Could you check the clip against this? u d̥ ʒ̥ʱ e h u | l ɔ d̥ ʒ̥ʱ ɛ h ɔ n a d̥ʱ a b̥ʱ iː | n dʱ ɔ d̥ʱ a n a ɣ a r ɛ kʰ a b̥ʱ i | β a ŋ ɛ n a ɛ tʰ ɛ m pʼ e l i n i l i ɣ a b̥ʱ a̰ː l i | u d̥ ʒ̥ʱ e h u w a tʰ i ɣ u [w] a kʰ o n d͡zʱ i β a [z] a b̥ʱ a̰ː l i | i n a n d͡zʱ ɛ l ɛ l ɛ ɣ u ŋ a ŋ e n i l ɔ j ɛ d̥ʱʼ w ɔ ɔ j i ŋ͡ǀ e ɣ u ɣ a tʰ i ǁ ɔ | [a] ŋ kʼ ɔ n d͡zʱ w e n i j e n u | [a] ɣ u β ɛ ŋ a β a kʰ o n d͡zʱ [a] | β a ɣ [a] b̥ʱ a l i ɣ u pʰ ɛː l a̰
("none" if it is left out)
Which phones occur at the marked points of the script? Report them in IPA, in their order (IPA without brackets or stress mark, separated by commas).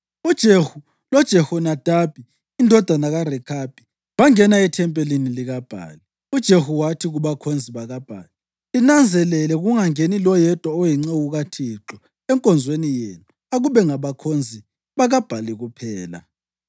β, ɣ, ɛ, a, i, a